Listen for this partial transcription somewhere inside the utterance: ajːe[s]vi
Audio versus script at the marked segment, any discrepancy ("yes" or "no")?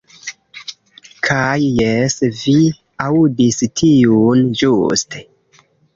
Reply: no